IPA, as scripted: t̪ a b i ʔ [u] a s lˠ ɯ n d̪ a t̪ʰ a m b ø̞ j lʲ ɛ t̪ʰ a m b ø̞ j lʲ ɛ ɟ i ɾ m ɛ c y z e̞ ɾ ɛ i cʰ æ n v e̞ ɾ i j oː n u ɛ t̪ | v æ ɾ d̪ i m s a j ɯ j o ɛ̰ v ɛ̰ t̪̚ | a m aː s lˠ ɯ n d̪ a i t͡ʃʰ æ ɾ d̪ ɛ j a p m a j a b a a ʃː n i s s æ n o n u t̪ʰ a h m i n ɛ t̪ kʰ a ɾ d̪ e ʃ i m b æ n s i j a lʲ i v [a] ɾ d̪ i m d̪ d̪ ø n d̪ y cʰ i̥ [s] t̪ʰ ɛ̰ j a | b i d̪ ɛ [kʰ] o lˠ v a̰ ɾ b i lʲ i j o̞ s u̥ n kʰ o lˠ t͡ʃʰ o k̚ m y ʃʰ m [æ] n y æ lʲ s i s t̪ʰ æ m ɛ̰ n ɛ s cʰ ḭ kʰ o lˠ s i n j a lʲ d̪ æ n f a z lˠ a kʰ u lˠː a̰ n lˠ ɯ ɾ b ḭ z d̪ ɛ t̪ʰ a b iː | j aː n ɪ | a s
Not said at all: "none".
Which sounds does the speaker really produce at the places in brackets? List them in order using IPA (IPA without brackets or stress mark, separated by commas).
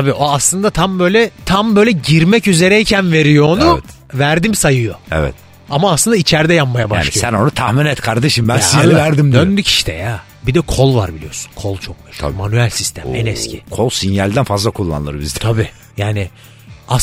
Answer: o, æ, ʃ, kʰ, a